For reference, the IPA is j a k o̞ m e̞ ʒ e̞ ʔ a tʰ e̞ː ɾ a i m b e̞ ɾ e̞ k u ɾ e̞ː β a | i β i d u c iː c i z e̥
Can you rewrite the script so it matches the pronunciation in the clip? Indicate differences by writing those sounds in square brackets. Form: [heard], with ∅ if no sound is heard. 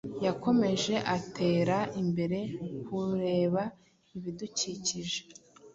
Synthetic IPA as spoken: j a k o̞ m e̞ ʒ e̞ ʔ a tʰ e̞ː ɾ a i m b e̞ ɾ e̞ k u ɾ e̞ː β a | i β i d u c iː c i [ʒ] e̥